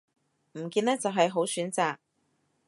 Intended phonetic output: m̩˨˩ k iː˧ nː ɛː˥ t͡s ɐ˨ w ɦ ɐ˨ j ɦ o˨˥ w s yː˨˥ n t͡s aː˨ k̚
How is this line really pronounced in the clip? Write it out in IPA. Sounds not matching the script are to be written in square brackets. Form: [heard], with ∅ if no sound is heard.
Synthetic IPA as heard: m̩˨˩ k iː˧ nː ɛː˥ t͡s ɐ˨ w ɦ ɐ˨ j ɦ o˨˥ w s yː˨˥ n t͡s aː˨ k̚